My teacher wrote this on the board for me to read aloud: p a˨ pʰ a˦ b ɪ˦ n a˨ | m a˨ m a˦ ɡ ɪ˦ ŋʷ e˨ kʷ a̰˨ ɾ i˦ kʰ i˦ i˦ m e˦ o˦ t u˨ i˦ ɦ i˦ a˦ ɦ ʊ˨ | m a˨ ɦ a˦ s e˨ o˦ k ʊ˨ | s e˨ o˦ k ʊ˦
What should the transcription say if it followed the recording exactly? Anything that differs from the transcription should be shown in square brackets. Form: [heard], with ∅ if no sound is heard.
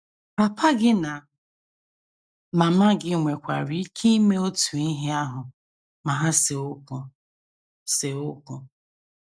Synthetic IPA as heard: p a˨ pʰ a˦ [ɡ] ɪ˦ n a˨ | m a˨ m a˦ ɡ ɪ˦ ŋʷ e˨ kʷ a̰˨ ɾ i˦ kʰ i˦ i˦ m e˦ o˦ t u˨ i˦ ɦ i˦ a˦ ɦ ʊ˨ | m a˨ ɦ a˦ s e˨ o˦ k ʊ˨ | s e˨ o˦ k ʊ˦